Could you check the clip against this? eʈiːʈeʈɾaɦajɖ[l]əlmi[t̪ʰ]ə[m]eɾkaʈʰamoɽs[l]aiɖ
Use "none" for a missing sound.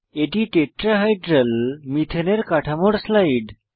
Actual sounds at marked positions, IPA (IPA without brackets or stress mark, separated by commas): ɾ, t̪ʰ, n, l